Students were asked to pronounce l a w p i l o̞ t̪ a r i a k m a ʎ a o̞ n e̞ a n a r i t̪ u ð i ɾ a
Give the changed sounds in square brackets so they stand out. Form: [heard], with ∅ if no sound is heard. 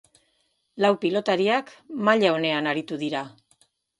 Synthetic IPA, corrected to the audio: l a w p i l o̞ t̪ a [ɾ] i a k m a ʎ a o̞ n e̞ a n a [ɾ] i t̪ u ð i ɾ a